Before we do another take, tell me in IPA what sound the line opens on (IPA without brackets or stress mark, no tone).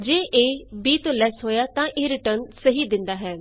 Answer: d͡ʒ